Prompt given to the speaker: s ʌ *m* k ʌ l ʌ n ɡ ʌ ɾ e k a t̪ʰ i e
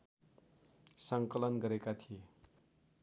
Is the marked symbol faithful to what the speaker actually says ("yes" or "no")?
no